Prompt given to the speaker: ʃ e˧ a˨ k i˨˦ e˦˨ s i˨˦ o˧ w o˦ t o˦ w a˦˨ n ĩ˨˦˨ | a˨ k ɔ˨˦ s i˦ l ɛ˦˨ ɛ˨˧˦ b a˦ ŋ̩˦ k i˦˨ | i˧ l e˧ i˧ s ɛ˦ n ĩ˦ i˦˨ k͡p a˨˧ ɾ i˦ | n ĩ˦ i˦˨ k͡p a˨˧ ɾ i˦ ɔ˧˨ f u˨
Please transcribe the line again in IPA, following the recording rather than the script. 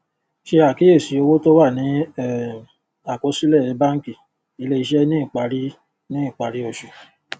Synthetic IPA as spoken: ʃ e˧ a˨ k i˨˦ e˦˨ s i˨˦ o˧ w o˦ t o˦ w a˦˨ n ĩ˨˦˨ | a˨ k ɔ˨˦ s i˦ l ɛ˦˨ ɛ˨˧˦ b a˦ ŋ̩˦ k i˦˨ | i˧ l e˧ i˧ ʃ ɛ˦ n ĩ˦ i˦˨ k͡p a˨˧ ɾ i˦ | n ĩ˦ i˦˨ k͡p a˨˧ ɾ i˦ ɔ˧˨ ʃ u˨

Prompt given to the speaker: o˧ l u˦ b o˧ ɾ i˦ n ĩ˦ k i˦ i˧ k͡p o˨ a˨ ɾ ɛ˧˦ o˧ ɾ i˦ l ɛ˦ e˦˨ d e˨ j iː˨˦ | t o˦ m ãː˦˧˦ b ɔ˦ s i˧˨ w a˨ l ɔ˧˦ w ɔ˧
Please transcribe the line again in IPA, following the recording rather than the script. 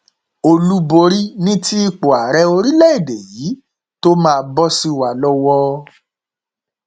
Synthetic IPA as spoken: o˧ l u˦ b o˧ ɾ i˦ n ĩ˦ t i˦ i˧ k͡p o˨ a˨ ɾ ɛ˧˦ o˧ ɾ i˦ l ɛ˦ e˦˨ d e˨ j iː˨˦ | t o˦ m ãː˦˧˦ b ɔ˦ s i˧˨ w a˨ l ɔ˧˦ w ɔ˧

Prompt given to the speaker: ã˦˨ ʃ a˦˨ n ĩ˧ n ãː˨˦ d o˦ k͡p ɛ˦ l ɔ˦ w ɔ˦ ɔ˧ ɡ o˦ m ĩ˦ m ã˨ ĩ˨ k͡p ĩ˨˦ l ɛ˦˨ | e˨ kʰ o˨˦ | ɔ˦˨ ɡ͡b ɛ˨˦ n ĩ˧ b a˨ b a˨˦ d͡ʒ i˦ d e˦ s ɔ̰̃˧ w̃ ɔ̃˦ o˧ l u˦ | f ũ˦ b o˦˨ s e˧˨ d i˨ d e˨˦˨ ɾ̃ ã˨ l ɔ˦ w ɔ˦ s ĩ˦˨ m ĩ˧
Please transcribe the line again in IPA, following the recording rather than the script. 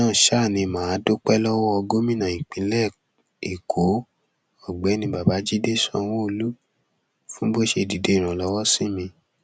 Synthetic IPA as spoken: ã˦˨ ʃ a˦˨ n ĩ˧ m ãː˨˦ d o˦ k͡p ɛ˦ l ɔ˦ w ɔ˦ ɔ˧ ɡ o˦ m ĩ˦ n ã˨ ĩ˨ k͡p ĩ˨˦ l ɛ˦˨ | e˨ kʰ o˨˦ | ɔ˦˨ ɡ͡b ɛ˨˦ n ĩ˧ b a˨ b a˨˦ d͡ʒ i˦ d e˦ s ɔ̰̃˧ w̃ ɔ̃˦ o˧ l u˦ | f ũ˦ b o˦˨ ʃ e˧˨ d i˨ d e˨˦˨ ɾ̃ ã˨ l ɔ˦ w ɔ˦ s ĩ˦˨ m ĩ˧

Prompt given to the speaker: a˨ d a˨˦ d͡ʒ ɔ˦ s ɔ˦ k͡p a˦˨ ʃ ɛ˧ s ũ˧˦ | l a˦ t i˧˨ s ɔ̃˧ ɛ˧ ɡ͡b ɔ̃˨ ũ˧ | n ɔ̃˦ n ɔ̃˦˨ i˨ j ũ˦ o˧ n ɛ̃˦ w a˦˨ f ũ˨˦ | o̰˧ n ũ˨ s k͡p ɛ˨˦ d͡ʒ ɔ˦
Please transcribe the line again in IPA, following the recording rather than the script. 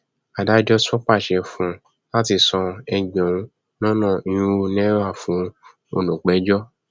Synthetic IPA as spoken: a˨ d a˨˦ d͡ʒ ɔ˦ s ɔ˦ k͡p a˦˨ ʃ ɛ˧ f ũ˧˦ | l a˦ t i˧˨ s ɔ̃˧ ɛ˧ ɡ͡b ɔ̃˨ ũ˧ | n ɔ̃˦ n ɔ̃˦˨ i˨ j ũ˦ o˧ n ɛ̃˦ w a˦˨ f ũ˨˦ | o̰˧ n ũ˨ k͡p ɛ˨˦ d͡ʒ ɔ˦

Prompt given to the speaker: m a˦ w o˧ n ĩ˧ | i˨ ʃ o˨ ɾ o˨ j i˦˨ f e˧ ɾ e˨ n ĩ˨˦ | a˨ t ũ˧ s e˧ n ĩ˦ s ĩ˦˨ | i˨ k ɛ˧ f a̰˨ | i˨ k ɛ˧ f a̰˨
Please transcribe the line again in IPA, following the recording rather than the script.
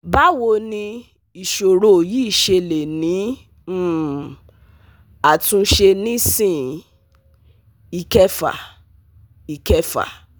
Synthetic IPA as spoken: b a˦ w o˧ n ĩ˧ | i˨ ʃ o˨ ɾ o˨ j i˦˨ ʃ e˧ l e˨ n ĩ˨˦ | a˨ t ũ˧ ʃ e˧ n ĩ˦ s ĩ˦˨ | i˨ k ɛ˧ f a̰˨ | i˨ k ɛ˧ f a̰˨

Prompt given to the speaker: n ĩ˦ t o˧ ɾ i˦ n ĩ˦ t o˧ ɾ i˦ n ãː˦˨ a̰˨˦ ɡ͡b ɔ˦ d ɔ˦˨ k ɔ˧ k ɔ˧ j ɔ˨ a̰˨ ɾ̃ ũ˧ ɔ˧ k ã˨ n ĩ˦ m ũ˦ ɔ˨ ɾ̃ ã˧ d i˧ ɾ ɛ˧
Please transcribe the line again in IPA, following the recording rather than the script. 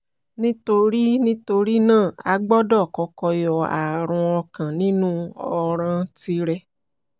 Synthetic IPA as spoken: n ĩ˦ t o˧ ɾ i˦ n ĩ˦ t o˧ ɾ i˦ n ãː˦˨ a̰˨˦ ɡ͡b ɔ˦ d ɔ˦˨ k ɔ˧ k ɔ˧ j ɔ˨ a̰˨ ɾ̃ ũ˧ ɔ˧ k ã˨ n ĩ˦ n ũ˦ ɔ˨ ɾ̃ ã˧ t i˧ ɾ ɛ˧

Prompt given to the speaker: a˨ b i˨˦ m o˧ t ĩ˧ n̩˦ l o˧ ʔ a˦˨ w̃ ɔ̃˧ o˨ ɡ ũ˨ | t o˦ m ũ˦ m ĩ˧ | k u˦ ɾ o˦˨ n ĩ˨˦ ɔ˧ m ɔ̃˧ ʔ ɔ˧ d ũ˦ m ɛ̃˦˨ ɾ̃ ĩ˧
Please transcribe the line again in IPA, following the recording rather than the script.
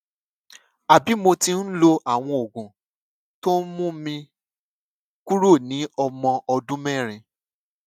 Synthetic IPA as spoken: a˨ b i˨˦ m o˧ t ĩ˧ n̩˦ l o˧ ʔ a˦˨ w̃ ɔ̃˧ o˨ ɡ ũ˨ | t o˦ m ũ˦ m ĩ˧ | k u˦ ɾ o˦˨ n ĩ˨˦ ɔ˧ m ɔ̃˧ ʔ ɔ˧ d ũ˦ m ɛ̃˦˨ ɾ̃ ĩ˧

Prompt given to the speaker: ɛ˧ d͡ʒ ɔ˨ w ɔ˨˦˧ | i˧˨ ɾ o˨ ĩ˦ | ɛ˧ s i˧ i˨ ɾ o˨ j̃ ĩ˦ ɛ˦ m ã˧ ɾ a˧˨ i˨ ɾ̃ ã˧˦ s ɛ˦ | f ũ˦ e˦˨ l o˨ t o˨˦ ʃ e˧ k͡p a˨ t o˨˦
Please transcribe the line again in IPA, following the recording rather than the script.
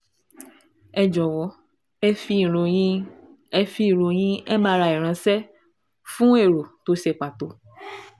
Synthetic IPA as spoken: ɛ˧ d͡ʒ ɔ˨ w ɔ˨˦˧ | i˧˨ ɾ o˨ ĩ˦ | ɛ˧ f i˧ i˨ ɾ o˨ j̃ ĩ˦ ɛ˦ m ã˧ ɾ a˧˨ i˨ ɾ̃ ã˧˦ s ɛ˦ | f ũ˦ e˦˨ ɾ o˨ t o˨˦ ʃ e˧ k͡p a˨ t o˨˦

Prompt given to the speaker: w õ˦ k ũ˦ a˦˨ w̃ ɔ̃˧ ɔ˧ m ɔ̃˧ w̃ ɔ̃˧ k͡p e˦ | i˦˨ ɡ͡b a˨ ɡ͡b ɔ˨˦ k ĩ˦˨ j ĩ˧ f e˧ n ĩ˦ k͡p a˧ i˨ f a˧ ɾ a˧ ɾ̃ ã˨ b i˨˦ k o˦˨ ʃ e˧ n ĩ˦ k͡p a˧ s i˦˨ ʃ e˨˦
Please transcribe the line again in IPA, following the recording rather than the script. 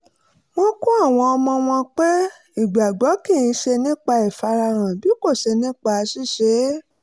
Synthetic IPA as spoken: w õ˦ k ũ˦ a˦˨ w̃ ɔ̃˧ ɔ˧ m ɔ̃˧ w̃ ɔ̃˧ k͡p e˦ | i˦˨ ɡ͡b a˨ ɡ͡b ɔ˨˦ k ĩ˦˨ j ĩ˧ ʃ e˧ n ĩ˦ k͡p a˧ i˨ f a˧ ɾ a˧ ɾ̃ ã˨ b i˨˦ k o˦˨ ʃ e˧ n ĩ˦ k͡p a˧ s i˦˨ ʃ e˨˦

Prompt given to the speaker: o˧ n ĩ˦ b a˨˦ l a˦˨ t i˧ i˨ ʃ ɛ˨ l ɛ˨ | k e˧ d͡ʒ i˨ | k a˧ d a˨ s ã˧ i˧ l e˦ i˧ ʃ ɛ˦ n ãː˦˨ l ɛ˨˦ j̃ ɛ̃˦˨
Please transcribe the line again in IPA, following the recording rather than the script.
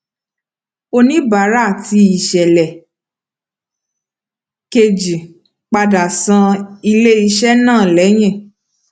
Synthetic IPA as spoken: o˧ n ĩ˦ b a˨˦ ɾ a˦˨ t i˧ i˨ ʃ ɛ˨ l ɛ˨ | k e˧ d͡ʒ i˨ | k͡p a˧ d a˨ s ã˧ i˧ l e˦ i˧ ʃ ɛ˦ n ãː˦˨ l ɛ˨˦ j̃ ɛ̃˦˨

